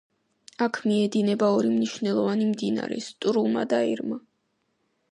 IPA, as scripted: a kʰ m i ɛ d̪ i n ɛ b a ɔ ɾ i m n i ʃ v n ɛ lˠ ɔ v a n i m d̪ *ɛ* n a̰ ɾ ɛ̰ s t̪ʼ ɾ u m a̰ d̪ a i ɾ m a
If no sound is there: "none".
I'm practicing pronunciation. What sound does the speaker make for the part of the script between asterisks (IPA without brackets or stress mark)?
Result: i